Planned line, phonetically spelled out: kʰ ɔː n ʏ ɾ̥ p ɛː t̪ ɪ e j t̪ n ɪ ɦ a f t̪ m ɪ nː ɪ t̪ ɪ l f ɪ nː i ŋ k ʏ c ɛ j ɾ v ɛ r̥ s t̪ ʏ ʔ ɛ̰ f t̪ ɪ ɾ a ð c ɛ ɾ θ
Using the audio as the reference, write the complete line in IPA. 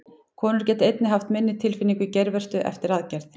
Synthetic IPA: kʰ ɔː n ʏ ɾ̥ c ɛː t̪ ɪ e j t̪ n ɪ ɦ a f t̪ m ɪ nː ɪ t̪ʰ ɪ l f ɪ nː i ŋ k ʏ c ɛ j ɾ v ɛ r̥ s t̪ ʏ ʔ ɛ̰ f t̪ ɪ ɾ a ð c ɛ ɾ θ